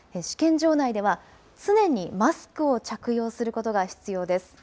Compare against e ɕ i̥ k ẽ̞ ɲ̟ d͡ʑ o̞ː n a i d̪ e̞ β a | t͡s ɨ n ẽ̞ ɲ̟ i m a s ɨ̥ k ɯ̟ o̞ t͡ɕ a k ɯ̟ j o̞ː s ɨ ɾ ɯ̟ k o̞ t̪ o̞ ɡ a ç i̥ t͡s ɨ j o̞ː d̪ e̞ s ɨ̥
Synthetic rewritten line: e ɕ i̥ k ẽ̞ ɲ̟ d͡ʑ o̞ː n a i d̪ e̞ β a | t͡s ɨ n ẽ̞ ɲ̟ i m a s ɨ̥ k ɯ̟ o̞ t͡ɕ a k ɯ̟ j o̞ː s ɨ ɾ ɯ̟ k o̞ t̪ o̞ ɡ a ç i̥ t͡s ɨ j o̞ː d̪ e̞ s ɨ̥